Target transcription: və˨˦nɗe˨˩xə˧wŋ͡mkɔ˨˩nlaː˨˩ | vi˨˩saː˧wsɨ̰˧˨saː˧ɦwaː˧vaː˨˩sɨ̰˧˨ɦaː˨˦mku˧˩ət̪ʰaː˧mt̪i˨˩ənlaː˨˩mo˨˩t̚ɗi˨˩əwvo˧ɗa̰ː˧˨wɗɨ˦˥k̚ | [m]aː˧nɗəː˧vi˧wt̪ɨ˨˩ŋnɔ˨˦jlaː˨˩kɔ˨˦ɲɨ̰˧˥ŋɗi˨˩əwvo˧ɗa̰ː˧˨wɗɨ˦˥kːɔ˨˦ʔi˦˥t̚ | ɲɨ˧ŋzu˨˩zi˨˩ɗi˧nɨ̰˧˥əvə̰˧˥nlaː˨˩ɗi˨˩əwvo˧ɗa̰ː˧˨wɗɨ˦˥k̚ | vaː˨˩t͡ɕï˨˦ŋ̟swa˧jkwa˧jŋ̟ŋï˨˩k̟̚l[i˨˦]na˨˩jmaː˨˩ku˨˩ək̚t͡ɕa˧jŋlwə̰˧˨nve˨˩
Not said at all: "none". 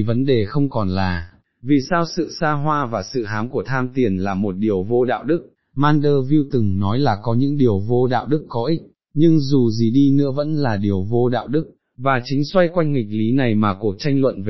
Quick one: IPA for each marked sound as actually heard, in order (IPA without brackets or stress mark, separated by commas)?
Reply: m, i˨˦